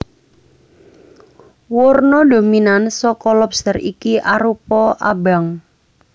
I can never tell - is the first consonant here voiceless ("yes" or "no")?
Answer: no